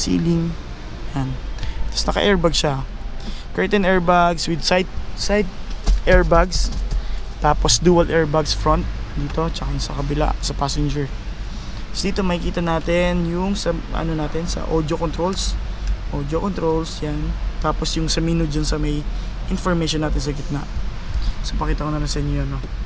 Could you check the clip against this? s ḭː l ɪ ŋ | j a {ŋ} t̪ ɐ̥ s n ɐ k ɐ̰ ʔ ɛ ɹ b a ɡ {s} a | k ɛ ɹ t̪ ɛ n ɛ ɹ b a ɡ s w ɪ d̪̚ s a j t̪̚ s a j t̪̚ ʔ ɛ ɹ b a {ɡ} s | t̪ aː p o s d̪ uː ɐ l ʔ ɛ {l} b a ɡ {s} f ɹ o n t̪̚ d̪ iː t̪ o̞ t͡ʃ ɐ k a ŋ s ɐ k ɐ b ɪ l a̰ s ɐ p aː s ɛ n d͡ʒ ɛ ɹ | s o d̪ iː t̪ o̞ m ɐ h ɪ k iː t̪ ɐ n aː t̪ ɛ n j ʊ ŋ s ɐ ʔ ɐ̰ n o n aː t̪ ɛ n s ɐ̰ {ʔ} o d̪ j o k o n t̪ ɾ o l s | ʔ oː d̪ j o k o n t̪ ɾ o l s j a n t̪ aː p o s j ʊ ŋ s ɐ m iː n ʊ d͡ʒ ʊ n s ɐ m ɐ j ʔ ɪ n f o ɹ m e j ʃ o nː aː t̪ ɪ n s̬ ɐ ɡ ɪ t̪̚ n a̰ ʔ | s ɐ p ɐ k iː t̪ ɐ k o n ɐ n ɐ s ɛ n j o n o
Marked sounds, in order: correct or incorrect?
incorrect: n, incorrect: ʃ, correct, incorrect: ɹ, correct, correct

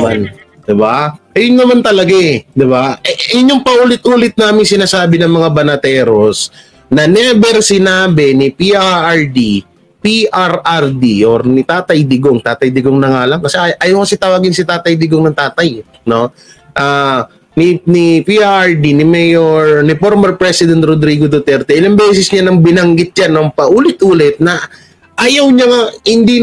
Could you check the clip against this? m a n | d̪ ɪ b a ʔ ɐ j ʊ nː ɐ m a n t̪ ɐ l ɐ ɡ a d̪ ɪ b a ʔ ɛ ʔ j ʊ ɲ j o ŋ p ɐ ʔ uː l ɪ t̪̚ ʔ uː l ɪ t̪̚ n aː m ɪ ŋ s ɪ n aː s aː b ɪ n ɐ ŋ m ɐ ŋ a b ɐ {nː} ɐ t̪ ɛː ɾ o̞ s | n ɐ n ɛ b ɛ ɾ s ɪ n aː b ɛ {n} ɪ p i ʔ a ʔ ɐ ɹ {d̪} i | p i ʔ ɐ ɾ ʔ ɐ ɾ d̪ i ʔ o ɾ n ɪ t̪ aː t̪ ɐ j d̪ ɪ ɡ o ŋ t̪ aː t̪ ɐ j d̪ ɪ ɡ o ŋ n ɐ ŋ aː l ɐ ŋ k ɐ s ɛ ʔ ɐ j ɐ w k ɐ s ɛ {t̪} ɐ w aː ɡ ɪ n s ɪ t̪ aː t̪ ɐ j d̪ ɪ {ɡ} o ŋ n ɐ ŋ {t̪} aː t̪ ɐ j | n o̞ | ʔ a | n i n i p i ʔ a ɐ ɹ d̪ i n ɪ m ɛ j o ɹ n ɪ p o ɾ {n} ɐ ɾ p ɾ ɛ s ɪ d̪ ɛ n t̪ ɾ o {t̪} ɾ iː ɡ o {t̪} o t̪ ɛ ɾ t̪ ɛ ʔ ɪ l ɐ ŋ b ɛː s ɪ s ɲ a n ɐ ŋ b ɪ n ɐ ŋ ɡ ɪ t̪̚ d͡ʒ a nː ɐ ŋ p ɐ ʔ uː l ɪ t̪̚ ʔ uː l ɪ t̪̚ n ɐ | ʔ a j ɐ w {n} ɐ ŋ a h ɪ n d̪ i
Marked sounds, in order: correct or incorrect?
incorrect: n, correct, correct, correct, correct, correct, incorrect: m, incorrect: d̪, incorrect: d̪, incorrect: ɲ

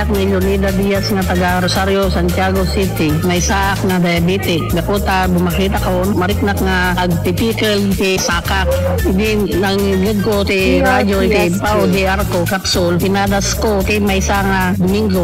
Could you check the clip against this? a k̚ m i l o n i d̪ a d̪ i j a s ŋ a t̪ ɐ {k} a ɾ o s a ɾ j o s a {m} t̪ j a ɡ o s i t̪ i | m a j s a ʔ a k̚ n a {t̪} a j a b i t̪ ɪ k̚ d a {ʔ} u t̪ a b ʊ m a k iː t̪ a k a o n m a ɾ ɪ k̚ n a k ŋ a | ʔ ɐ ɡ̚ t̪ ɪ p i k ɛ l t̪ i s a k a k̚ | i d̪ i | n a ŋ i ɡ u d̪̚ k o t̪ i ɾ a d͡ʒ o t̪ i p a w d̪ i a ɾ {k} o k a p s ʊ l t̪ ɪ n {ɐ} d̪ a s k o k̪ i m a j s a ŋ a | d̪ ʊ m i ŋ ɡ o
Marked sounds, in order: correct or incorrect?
incorrect: ɡ, incorrect: n, incorrect: d̪, incorrect: k, correct, incorrect: a

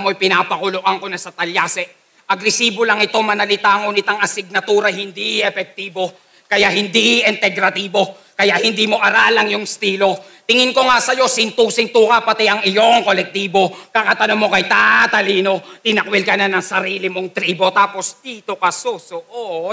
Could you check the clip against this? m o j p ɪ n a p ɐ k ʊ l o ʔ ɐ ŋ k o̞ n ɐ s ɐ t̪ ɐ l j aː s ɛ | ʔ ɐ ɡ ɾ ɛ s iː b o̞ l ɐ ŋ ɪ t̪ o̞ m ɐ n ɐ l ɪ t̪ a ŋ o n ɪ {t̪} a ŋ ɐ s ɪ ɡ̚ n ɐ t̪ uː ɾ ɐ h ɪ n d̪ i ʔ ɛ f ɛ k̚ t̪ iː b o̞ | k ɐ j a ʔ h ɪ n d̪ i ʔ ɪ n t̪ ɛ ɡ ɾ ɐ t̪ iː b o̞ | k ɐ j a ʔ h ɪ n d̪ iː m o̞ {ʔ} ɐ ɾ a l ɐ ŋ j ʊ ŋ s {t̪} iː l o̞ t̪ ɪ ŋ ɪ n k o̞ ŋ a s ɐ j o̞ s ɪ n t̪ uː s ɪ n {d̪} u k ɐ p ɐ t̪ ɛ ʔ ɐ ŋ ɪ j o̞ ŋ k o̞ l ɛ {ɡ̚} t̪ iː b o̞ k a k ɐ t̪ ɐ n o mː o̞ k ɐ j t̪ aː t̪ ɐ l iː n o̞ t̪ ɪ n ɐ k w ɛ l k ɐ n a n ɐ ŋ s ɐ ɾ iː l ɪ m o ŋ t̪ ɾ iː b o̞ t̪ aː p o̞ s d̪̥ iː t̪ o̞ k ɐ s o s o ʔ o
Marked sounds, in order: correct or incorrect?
correct, correct, correct, incorrect: t̪, incorrect: k̚

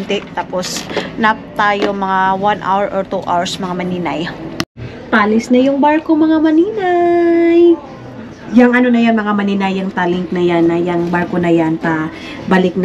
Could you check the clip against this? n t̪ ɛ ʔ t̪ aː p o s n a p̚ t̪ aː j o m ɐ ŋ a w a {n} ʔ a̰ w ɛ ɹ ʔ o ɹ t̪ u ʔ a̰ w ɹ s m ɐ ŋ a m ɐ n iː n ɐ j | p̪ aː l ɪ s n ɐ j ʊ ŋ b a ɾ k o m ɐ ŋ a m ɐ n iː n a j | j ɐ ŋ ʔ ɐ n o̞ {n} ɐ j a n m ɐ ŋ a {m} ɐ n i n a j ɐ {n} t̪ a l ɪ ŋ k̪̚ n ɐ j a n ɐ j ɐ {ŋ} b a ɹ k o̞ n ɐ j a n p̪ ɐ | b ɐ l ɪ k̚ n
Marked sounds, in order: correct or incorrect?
correct, correct, correct, incorrect: ŋ, correct

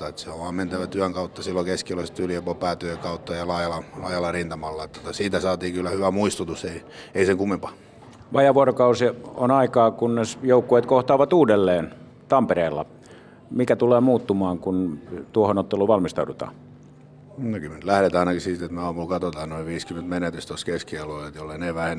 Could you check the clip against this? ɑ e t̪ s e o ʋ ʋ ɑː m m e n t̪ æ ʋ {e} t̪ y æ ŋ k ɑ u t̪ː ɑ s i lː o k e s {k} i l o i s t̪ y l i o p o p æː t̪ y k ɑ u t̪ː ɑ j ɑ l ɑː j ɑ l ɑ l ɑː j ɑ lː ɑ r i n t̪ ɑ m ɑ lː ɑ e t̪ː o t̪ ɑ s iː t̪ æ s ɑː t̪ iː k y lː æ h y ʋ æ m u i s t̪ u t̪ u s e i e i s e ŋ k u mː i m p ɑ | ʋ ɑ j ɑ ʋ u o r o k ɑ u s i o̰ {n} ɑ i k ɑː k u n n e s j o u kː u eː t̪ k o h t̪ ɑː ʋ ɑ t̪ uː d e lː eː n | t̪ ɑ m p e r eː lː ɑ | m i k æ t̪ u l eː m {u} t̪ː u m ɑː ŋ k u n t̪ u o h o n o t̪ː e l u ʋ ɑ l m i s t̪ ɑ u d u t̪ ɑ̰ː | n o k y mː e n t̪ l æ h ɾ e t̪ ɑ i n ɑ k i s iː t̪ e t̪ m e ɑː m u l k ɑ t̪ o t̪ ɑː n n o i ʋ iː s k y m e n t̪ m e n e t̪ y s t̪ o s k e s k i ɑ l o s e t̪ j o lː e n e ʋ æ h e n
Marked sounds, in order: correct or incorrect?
incorrect: æ, correct, correct, incorrect: uː

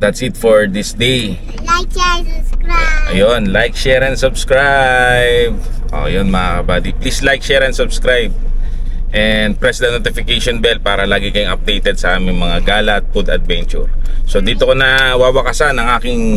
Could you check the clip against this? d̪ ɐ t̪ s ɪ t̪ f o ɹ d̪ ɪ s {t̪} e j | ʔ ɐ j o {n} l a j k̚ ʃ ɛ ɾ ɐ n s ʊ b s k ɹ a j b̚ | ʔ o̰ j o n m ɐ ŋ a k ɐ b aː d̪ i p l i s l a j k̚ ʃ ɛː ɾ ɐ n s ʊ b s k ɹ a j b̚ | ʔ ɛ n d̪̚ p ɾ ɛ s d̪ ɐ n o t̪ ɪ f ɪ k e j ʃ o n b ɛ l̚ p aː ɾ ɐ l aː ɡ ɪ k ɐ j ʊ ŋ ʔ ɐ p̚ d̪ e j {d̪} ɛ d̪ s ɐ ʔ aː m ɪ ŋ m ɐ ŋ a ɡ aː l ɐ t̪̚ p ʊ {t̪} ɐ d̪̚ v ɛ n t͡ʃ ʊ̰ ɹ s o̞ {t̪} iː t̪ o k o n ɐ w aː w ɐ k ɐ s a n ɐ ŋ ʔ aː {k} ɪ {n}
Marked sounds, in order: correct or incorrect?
incorrect: d̪, correct, incorrect: t̪, incorrect: d̪, incorrect: d̪, correct, incorrect: ŋ

